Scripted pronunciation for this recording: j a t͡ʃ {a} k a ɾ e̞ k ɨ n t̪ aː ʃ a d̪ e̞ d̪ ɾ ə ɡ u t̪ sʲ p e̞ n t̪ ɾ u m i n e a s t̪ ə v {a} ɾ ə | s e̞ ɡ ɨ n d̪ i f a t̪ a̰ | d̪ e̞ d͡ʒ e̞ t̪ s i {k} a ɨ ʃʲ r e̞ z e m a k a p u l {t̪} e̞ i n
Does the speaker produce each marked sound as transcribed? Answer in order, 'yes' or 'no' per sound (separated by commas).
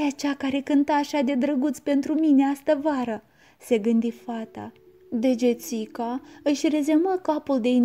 yes, yes, yes, no